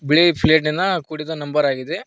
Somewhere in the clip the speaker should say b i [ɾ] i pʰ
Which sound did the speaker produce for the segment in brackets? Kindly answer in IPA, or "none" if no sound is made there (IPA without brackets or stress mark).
ɭ